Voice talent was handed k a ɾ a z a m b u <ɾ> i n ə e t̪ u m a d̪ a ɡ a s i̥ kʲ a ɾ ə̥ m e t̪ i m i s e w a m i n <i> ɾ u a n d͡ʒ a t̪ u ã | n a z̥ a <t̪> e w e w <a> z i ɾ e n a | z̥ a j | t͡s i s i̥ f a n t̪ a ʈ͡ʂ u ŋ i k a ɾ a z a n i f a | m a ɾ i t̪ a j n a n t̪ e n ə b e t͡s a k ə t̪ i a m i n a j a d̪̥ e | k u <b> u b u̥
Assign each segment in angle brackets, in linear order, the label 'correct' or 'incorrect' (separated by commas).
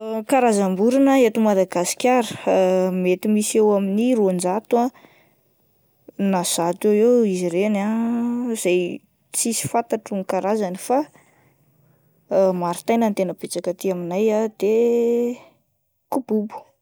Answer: correct, correct, correct, incorrect, correct